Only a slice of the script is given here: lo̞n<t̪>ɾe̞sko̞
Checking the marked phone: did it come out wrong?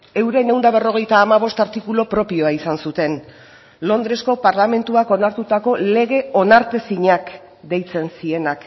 yes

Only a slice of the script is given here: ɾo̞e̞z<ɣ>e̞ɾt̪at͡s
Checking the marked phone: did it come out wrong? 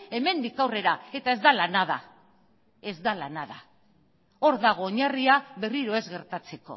no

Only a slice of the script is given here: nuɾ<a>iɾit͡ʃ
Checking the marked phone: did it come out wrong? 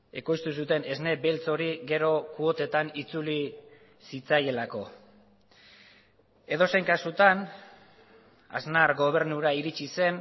no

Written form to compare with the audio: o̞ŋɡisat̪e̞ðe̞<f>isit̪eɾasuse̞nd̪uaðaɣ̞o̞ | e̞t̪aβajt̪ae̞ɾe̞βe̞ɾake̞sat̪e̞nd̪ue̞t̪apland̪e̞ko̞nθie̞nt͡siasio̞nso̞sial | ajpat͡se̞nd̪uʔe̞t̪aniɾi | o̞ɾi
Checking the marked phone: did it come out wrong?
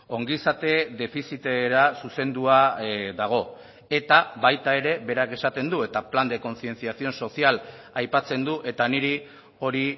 no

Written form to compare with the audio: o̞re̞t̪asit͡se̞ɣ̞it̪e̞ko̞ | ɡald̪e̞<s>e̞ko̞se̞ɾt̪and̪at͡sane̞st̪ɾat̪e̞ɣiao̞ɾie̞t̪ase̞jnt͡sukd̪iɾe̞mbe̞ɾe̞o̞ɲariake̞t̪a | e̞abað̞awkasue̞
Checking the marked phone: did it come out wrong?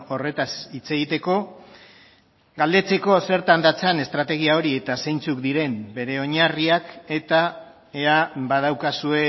yes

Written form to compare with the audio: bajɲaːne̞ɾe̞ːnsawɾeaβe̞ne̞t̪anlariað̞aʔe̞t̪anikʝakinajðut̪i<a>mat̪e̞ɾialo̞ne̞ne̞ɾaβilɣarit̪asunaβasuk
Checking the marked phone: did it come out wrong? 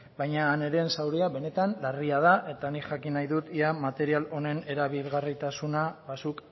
no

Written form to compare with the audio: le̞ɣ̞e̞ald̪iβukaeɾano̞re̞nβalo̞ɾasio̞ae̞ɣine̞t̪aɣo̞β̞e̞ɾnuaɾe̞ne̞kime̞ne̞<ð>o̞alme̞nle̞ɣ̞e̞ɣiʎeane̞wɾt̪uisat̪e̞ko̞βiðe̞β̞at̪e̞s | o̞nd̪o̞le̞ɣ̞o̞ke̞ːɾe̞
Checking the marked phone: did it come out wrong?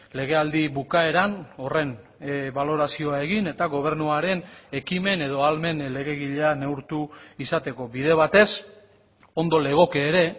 no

